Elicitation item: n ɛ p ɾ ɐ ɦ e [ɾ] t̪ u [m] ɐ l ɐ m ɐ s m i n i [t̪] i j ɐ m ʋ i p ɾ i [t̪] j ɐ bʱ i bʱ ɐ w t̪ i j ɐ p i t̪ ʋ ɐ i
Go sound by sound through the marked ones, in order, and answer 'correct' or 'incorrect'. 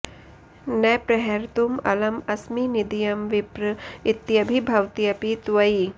correct, correct, incorrect, correct

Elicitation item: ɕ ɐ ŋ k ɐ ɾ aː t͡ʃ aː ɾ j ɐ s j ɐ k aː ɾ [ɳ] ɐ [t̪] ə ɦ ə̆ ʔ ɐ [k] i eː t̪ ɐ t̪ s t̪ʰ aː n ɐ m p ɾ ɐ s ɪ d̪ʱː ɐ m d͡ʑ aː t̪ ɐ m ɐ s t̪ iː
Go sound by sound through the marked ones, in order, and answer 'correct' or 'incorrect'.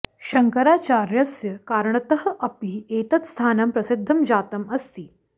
correct, correct, incorrect

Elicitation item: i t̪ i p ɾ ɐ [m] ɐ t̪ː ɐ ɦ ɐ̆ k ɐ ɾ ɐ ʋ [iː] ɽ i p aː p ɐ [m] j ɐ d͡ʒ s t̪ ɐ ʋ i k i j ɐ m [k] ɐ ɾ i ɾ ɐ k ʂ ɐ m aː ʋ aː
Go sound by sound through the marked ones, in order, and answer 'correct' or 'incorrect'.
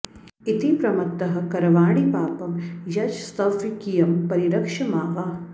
correct, incorrect, correct, incorrect

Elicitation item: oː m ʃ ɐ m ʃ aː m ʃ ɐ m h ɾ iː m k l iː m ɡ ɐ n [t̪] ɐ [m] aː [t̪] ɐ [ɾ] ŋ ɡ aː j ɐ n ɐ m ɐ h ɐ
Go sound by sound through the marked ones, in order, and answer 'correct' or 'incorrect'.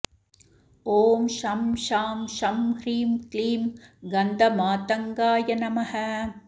incorrect, correct, correct, incorrect

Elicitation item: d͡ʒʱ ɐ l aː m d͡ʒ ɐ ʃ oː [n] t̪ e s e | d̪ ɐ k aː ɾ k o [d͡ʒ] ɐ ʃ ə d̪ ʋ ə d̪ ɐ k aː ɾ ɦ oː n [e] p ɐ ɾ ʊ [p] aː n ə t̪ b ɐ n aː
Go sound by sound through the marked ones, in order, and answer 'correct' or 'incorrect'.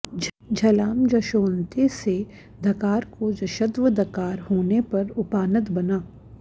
correct, correct, correct, correct

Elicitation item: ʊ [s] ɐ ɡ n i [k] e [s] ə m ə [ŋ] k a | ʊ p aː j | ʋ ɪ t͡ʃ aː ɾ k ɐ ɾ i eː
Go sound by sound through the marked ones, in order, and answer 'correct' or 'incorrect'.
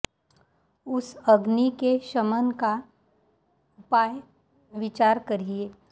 correct, correct, incorrect, incorrect

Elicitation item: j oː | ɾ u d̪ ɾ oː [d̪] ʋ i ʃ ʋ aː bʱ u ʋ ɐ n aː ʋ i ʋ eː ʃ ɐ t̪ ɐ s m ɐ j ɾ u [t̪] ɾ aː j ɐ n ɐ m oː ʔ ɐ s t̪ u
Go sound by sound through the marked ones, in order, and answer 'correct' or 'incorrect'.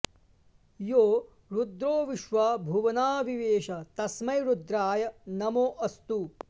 incorrect, incorrect

